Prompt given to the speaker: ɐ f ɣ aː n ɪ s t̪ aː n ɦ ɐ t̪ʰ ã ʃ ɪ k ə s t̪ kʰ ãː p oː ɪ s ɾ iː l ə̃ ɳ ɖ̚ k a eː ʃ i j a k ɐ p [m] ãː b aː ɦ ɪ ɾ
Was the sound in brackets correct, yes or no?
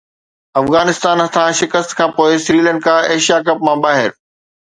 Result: yes